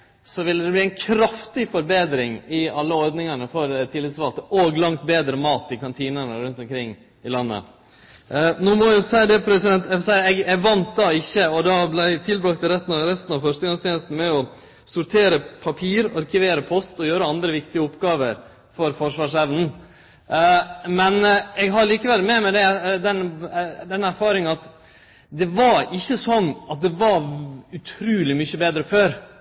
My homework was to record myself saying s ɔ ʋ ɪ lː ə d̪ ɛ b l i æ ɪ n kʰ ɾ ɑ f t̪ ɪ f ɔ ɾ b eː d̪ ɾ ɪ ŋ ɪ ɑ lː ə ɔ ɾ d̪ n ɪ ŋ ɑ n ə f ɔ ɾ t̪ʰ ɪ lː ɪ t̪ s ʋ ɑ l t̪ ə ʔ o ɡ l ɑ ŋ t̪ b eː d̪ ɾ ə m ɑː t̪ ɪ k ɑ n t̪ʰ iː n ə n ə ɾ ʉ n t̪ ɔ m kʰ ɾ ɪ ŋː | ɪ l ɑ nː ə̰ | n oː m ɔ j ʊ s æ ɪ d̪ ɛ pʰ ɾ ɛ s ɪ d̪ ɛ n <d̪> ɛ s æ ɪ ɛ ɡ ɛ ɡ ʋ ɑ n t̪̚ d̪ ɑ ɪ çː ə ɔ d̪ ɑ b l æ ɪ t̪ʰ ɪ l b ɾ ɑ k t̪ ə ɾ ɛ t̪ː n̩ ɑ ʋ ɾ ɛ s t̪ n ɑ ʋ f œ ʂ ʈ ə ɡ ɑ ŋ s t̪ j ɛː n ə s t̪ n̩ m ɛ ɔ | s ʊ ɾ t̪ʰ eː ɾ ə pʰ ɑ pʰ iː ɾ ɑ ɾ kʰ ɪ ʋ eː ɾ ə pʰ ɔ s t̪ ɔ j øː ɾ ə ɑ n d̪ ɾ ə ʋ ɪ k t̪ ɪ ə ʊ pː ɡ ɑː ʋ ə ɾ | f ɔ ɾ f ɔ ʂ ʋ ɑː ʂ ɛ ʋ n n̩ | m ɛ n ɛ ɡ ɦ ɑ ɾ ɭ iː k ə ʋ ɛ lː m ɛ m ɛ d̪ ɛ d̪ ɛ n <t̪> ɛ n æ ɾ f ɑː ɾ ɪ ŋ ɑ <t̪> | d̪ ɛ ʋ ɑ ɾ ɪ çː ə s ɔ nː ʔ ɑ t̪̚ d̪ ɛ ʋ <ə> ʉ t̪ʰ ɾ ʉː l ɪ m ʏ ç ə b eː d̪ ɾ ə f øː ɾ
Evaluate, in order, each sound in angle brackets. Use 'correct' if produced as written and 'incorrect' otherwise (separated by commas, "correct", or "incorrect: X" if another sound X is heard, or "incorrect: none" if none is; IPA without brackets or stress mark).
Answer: incorrect: t̪, incorrect: d̪, correct, incorrect: ɑ